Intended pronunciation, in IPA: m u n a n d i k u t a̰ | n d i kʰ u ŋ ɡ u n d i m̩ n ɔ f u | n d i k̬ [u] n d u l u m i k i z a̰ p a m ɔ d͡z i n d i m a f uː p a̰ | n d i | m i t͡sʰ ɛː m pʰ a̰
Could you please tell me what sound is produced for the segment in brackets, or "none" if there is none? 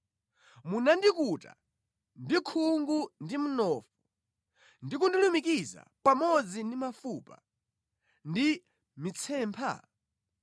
u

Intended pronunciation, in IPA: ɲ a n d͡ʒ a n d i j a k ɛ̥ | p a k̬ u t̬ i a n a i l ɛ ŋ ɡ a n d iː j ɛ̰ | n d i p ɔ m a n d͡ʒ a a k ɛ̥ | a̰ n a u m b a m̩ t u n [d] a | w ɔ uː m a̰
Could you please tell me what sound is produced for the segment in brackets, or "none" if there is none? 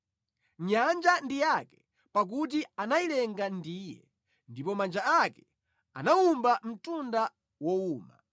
d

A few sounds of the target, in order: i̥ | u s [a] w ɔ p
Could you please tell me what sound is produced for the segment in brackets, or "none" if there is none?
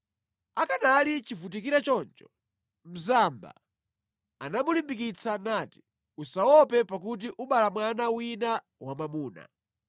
a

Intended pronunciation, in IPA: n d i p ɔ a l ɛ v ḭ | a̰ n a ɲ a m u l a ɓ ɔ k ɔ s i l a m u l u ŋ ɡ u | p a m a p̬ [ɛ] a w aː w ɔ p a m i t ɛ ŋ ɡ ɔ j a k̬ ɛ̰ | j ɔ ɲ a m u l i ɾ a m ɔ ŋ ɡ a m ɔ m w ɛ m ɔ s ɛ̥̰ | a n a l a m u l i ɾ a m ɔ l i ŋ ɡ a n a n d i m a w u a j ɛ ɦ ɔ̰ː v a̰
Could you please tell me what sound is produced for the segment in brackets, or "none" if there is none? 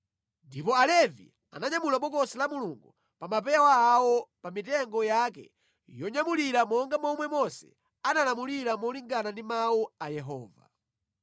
ɛ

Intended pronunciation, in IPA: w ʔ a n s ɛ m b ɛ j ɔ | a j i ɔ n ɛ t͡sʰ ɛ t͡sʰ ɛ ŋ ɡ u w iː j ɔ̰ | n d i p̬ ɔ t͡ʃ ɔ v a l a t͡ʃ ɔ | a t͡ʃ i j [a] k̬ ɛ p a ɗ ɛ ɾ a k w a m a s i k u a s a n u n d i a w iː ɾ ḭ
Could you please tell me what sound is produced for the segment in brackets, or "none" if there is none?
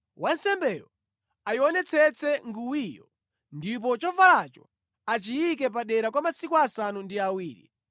i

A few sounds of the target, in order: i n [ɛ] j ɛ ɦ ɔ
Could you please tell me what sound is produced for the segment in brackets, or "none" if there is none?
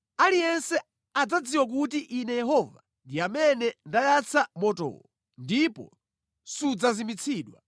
ɛ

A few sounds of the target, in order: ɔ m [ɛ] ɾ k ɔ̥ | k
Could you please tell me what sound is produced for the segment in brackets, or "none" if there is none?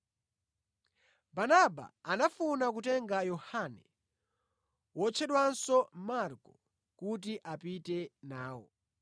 a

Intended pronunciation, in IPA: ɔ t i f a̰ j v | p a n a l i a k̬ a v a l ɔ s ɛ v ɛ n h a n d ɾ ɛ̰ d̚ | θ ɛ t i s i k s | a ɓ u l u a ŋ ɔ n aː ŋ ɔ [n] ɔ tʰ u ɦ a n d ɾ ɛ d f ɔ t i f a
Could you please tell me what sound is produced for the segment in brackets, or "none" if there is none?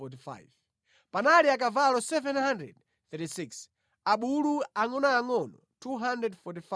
n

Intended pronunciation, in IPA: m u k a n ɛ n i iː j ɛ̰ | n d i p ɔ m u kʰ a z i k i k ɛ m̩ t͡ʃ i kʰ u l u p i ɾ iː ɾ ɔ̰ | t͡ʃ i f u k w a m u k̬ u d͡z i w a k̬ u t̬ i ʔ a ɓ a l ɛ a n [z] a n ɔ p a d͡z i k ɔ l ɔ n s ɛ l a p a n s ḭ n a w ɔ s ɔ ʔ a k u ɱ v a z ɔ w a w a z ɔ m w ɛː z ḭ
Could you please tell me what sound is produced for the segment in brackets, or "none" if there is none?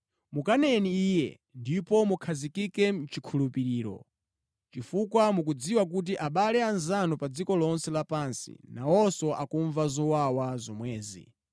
z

